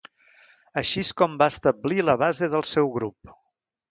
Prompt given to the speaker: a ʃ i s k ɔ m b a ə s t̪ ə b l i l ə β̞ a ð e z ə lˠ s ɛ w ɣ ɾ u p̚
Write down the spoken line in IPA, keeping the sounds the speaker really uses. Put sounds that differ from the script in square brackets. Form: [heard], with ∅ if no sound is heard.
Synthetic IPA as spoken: [ə] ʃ i s k ɔ m b a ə s t̪ ə b l i l ə β̞ a [z] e [ð] ə lˠ s ɛ w ɣ ɾ u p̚